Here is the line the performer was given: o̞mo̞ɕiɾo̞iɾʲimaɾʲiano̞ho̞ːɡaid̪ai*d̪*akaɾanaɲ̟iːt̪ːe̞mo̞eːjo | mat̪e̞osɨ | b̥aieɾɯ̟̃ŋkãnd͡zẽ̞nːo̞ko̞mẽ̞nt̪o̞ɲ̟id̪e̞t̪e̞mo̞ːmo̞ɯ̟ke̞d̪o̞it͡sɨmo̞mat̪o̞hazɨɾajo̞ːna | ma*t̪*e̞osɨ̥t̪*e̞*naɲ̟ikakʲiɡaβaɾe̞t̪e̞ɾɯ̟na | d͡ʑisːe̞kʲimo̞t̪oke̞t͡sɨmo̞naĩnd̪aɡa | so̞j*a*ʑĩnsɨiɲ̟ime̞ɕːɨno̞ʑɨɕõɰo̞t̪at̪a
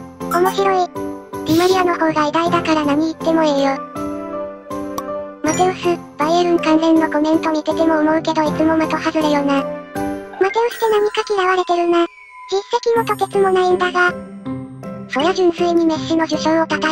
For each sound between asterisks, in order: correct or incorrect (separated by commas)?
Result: correct, correct, correct, correct